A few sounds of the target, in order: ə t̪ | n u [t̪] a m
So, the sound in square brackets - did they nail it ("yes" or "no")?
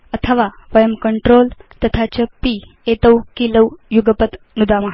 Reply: no